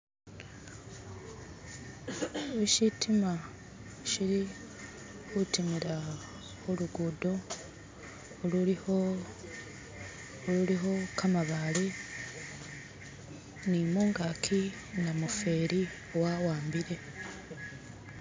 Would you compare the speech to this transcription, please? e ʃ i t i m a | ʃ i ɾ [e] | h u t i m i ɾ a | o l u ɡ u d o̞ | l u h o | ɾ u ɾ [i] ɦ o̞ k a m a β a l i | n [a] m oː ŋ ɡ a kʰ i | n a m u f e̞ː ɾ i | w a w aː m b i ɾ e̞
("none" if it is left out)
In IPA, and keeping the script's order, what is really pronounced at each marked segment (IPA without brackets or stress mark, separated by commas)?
i, i, i